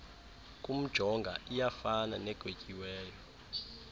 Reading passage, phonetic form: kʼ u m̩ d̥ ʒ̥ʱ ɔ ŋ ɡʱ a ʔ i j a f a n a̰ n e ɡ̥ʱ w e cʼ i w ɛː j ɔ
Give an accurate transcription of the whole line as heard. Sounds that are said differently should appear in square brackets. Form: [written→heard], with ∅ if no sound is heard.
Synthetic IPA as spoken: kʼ u m̩ d̥ ʒ̥ʱ ɔ ŋ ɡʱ a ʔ i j a f a n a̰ n [e→ɛ] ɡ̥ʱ w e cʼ i w ɛː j ɔ